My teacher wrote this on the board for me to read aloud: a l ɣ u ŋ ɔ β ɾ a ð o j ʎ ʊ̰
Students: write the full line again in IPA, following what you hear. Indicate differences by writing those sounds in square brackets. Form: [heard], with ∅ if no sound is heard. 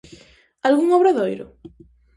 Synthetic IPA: a l ɣ u ŋ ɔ β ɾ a ð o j [ɾ] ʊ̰